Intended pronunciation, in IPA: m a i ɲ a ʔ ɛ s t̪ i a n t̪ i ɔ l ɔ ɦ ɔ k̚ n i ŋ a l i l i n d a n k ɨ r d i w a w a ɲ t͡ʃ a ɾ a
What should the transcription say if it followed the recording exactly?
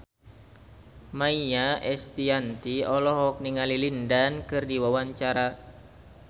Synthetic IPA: m a i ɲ a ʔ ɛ s t̪ i a n t̪ i ɔ l ɔ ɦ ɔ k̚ n i ŋ a l i l i n d a n k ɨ r d i w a w a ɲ t͡ʃ a ɾ a

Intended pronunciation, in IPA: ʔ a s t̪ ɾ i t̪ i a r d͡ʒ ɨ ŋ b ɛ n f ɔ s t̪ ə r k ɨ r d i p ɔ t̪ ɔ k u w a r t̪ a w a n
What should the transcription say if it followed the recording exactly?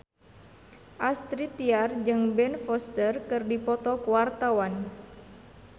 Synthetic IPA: ʔ a s t̪ ɾ i t̪ i a r d͡ʒ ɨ ŋ b ɛ n f ɔ s t̪ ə r k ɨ r d i p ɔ t̪ ɔ k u w a r t̪ a w a n

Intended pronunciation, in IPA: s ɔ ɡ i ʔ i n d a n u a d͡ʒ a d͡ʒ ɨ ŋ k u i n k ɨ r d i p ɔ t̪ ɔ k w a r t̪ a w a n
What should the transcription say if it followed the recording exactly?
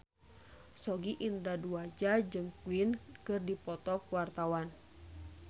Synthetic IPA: s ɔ ɡ i ʔ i n d a d u a d͡ʒ a d͡ʒ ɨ ŋ k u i n k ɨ r d i p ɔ t̪ ɔ k w a r t̪ a w a n

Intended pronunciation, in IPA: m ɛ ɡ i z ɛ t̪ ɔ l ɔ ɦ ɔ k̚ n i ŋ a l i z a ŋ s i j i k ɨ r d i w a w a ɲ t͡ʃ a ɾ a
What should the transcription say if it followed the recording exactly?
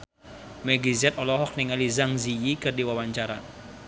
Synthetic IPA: m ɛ ɡ i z ɛ t̪ ɔ l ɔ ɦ ɔ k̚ n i ŋ a l i z a ŋ z i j i k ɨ r d i w a w a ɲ t͡ʃ a ɾ a

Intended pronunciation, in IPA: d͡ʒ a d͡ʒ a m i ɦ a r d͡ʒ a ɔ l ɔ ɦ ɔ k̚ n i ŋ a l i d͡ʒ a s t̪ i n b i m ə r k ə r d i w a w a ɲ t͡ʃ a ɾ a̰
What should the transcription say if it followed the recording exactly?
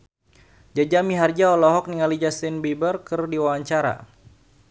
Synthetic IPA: d͡ʒ a d͡ʒ a m i ɦ a r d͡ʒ a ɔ l ɔ ɦ ɔ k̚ n i ŋ a l i d͡ʒ a s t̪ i n b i b ə r k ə r d i w a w a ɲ t͡ʃ a ɾ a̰

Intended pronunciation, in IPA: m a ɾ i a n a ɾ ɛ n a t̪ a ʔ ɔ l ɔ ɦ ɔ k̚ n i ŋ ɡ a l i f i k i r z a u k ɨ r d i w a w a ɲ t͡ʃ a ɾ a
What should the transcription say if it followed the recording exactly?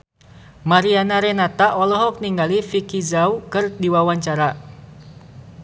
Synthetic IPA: m a ɾ i a n a ɾ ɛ n a t̪ a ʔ ɔ l ɔ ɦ ɔ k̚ n i ŋ ɡ a l i f i k i z a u k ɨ r d i w a w a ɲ t͡ʃ a ɾ a

